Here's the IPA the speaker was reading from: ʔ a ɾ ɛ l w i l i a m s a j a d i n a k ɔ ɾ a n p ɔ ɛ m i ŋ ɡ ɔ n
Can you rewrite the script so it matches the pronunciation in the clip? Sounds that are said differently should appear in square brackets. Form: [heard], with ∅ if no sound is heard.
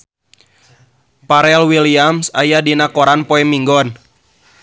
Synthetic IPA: [p] a ɾ ɛ l w i l i a m s a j a d i n a k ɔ ɾ a n p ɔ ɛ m i ŋ ɡ ɔ n